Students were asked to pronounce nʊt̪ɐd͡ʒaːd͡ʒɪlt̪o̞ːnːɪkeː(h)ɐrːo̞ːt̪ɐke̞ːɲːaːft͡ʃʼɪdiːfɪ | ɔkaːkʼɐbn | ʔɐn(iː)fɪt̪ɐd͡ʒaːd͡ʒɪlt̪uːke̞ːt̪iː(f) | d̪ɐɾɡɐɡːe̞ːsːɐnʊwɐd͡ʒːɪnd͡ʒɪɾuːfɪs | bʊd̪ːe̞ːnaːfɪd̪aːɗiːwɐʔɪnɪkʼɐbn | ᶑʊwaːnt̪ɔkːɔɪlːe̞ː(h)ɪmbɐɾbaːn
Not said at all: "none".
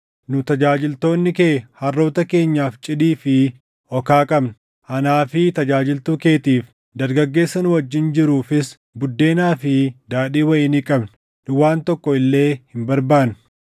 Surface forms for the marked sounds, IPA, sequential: h, aː, f, h

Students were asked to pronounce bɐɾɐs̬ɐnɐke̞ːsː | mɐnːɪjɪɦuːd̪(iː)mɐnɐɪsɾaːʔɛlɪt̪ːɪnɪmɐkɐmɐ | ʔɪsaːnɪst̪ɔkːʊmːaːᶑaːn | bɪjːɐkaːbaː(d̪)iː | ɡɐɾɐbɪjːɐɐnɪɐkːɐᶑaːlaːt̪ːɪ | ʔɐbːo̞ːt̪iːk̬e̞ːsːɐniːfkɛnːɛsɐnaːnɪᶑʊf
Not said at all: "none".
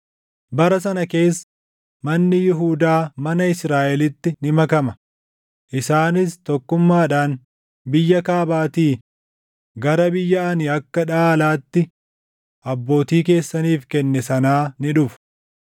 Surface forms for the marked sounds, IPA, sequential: aː, t̪

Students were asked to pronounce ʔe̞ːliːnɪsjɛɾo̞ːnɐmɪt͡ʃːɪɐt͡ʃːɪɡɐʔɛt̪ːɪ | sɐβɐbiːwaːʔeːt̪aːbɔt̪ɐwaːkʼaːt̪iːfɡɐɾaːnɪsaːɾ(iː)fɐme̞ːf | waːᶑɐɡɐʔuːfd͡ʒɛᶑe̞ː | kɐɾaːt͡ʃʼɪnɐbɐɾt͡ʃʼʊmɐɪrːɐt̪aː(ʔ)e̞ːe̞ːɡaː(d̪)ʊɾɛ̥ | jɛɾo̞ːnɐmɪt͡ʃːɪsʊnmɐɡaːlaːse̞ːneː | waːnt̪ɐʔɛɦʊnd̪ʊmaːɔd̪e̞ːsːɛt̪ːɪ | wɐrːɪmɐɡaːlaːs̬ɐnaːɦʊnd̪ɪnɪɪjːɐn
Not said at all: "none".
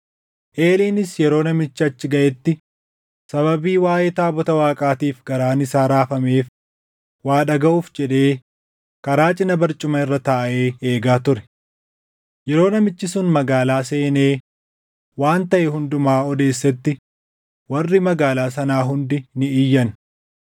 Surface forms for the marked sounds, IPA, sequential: aː, ʔ, t̪

